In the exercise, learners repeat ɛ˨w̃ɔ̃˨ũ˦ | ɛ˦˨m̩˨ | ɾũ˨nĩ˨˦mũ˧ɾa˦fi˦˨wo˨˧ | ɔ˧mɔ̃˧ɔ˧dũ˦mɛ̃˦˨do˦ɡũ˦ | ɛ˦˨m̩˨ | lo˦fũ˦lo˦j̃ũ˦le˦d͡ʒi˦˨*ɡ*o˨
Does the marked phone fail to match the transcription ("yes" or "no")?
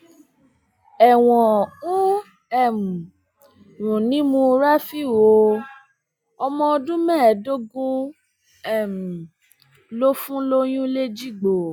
yes